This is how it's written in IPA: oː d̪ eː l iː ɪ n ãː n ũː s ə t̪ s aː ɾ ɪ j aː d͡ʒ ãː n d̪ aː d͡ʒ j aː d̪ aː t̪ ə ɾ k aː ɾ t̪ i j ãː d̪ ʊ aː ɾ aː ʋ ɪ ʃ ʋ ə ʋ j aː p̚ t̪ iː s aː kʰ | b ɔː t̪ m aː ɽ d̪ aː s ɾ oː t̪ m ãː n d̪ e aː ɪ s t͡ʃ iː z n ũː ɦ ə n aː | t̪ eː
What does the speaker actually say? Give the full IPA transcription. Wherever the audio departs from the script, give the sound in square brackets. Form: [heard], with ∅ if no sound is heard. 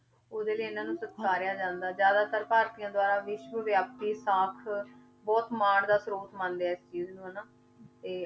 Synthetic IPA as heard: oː d̪ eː l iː ɪ n ãː n ũː s ə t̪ s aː ɾ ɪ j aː d͡ʒ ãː n d̪ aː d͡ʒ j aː d̪ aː t̪ ə ɾ [p] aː ɾ t̪ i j ãː d̪ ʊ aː ɾ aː ʋ ɪ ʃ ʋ ə ʋ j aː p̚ t̪ iː s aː kʰ | b ɔː t̪ m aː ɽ d̪ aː s ɾ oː t̪ m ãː n d̪ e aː ɪ s t͡ʃ iː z n ũː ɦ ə n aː | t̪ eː